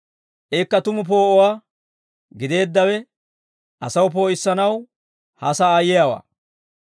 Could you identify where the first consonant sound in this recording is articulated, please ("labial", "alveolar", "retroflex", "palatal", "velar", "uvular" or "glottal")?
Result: glottal